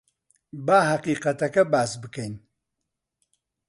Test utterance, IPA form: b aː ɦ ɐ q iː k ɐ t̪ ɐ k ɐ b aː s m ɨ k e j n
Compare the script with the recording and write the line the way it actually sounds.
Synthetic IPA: b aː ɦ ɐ q iː q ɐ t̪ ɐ k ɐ b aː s b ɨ k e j n

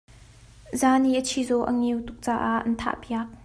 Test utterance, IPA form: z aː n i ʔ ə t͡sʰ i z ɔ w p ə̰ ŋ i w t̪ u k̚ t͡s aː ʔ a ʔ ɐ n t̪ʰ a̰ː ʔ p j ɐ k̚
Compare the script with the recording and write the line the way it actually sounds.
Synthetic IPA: z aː n i ʔ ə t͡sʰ i z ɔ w ʔ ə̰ ŋ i w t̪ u k̚ t͡s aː ʔ a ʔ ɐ n t̪ʰ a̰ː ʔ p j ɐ k̚

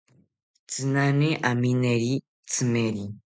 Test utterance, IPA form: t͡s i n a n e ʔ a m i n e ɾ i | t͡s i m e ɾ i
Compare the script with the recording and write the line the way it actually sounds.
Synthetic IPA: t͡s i n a n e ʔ a m i n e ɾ i | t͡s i m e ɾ i

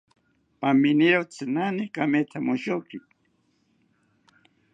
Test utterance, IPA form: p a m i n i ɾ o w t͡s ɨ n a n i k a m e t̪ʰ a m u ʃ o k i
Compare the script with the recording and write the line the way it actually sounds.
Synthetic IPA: p a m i n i ɾ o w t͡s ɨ n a n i k a m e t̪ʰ a m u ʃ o k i

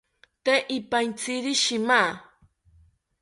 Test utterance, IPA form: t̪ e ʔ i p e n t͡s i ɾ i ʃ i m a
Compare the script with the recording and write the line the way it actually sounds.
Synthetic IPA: t̪ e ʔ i p a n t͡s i ɾ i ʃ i m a

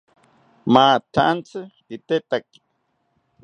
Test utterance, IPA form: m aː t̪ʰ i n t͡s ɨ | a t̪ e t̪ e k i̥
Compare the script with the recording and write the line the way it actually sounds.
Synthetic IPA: m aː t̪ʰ a n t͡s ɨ | i t̪ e t̪ a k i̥

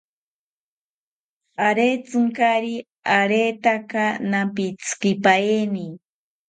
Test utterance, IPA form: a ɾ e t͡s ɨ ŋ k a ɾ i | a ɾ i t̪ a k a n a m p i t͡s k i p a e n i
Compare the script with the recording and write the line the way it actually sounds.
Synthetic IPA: a ɾ e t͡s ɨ ŋ k a ɾ i | a ɾ e t̪ a k a n a m p i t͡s k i p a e n i

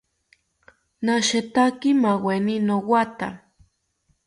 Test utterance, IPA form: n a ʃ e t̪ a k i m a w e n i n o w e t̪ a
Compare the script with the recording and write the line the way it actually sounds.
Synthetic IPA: n a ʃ e t̪ a k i m a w e n i n o w a t̪ a

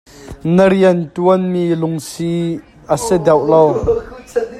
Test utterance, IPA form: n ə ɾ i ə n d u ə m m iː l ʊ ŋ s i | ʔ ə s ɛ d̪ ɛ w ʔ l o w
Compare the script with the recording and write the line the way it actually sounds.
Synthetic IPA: n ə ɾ i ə n t u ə n m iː l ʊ ŋ s i | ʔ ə s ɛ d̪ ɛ w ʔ l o w

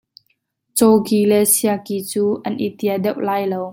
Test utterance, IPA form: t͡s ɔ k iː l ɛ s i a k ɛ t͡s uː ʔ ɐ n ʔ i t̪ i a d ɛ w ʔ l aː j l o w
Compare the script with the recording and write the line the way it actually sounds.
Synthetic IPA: t͡s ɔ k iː l ɛ s i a k i t͡s uː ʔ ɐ n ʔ i t̪ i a d ɛ w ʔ l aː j l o w

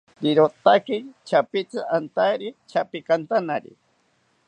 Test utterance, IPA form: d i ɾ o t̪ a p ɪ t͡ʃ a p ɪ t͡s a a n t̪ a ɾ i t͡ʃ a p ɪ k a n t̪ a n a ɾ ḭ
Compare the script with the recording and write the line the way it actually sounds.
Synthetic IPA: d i ɾ o t̪ a k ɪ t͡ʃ a p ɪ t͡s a a n t̪ a ɾ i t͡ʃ a p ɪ k a n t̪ a n a ɾ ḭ

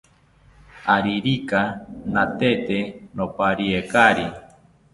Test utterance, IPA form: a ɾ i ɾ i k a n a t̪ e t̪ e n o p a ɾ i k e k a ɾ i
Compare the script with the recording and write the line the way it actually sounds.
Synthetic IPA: a ɾ i ɾ i k a n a t̪ e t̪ e n o p a ɾ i e k a ɾ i

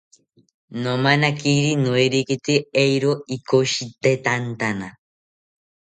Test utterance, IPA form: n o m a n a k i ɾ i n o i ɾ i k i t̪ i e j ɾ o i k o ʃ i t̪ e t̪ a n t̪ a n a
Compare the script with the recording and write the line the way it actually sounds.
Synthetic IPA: n o m a n a k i ɾ i n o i ɾ i k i t̪ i e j ɾ o i k o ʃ i t̪ e t̪ a n t̪ a n a

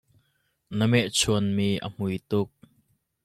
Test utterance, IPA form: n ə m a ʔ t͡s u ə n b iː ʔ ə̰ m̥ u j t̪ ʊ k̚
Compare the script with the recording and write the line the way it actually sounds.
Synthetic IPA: n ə m ɛ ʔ t͡sʰ u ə n m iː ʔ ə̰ m̥ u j t̪ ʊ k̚

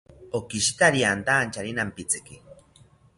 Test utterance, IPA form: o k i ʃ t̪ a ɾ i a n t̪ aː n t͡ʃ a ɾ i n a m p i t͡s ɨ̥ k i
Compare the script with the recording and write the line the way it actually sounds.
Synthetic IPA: o k i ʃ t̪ a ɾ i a n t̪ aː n t͡ʃ a ɾ i n a m p i t͡s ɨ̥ k i

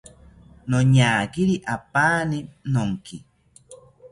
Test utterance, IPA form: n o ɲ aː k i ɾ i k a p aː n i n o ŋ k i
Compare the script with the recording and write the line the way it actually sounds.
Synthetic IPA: n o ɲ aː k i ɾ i ʔ a p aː n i n o ŋ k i

